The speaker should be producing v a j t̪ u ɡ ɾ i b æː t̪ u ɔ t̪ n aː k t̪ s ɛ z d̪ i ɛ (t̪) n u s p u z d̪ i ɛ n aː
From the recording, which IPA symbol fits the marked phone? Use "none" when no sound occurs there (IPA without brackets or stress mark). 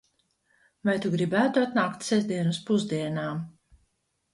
none